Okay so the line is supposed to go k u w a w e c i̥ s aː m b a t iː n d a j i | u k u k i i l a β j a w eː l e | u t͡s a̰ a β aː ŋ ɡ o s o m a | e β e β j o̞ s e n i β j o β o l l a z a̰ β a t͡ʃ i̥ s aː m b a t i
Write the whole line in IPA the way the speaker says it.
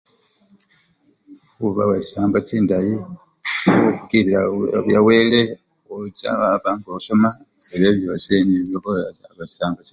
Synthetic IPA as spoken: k u β a w e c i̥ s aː m b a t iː n d a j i | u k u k i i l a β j a w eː l e | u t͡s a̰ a β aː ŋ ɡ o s o m a | e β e β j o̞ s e n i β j o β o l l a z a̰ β a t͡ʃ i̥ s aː m b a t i